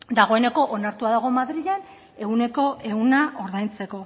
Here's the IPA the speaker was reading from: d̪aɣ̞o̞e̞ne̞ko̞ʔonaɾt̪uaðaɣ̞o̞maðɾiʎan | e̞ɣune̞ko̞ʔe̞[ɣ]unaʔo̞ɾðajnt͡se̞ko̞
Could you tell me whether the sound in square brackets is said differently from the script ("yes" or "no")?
no